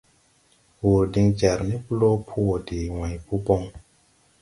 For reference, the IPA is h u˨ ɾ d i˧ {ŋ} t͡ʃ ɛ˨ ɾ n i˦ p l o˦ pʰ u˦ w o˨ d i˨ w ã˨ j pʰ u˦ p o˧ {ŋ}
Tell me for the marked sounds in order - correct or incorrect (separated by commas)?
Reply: correct, correct